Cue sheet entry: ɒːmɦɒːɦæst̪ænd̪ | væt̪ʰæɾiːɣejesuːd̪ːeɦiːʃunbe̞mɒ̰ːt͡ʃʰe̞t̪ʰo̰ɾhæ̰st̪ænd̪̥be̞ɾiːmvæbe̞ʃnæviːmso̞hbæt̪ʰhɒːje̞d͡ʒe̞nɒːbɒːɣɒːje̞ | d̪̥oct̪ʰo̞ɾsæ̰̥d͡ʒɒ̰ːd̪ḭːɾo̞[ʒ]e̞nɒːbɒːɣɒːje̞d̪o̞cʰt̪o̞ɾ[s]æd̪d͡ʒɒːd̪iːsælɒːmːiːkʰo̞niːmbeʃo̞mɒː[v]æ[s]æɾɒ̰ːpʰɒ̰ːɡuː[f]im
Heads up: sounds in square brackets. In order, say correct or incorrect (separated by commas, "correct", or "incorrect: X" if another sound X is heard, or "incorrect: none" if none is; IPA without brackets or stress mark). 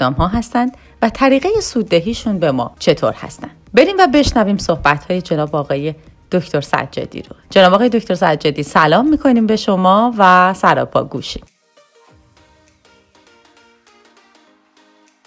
incorrect: d͡ʒ, correct, correct, correct, incorrect: ʃ